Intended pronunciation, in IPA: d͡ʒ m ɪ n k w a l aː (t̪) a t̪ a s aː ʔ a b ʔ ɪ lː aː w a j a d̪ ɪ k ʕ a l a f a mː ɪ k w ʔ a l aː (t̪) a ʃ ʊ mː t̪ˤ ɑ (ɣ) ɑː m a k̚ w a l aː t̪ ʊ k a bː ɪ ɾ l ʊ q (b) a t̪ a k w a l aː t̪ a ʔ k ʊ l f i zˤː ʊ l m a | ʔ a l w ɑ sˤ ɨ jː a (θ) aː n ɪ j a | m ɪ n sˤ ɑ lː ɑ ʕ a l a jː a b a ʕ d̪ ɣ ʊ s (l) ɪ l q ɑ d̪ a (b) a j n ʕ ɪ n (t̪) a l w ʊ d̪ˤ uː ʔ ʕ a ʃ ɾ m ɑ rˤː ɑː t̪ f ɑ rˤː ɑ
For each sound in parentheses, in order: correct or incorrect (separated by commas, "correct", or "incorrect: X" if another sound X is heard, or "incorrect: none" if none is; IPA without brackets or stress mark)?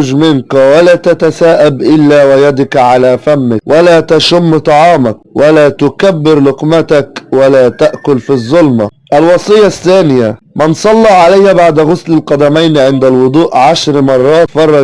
correct, correct, incorrect: ʕ, incorrect: m, incorrect: θː, correct, incorrect: m, incorrect: d̪